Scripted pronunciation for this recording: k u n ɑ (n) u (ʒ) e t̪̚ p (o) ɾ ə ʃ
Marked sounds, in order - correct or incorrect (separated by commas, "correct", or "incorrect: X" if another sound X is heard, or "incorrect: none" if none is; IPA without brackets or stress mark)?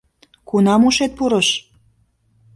incorrect: m, incorrect: ʃ, incorrect: u